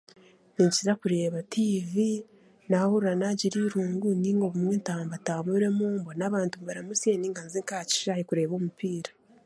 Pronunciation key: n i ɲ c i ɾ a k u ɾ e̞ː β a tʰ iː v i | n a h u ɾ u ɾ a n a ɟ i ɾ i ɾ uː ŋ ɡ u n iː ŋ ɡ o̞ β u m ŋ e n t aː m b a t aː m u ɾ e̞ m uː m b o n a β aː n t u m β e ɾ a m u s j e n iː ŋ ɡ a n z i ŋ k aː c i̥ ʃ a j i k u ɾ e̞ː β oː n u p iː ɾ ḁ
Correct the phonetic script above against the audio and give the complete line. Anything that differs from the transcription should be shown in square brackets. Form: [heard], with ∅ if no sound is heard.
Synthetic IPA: n i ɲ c i ɾ a k u ɾ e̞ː β a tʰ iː v i | n a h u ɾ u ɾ a n a ɟ i ɾ i ɾ uː ŋ ɡ u n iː ŋ ɡ o̞ β u m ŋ e n t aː m b a t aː m u ɾ e̞ m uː m b o n a β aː n t u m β [a] ɾ a m u s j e n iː ŋ ɡ a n z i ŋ k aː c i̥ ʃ a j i k u ɾ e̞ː β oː [m] u p iː ɾ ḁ